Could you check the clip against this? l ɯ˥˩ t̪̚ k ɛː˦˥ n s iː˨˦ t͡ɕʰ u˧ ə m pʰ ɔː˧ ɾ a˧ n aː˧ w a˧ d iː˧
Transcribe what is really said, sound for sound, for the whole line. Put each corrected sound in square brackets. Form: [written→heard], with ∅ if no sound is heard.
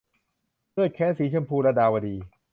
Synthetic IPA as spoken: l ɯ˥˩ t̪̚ [k→kʰ] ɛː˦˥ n s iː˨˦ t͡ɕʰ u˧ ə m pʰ [ɔː˧→uː˧] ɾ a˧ [n→d] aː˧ w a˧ d iː˧